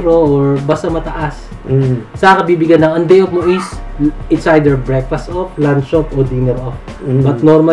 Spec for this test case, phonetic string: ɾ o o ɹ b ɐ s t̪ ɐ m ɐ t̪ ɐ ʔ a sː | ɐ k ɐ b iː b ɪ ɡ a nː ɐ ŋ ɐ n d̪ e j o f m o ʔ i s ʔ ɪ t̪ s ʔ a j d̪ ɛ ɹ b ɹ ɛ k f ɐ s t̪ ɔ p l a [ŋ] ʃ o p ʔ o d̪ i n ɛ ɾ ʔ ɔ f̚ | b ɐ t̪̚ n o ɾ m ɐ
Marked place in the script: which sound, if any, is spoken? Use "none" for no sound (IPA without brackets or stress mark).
n